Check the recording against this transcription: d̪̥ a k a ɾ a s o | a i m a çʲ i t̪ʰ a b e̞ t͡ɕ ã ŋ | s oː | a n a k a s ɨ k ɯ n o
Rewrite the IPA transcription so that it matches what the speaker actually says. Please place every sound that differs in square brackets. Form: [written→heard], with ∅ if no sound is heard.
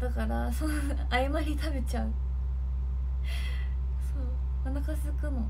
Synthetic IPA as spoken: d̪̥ a k a ɾ a s o | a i m a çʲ i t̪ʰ a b e̞ t͡ɕ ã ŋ | s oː | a n a k a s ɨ k ɯ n o